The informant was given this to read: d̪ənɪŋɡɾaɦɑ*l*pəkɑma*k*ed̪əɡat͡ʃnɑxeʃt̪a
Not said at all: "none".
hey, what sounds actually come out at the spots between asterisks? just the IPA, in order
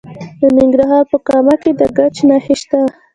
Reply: ɾ, k

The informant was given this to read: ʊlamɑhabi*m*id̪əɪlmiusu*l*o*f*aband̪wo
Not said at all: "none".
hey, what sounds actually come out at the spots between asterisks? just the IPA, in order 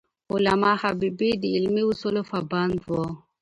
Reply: b, l, f

